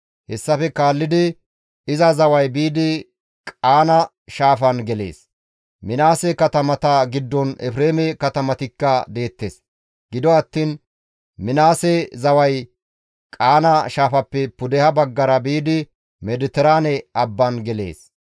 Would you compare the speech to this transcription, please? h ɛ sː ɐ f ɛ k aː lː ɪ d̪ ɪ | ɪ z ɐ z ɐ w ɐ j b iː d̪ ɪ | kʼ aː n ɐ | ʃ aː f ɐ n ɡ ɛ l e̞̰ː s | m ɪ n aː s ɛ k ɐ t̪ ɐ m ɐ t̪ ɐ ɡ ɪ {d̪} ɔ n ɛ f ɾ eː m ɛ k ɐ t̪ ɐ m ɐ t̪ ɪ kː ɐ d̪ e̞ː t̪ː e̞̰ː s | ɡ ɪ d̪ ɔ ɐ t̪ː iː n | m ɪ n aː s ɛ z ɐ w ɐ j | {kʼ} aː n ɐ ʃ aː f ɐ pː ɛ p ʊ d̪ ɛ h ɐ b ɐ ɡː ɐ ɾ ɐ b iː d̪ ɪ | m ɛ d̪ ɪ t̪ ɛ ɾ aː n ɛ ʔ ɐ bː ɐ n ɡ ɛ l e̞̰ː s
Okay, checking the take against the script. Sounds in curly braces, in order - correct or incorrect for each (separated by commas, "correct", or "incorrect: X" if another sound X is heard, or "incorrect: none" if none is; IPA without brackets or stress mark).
incorrect: d̪ː, correct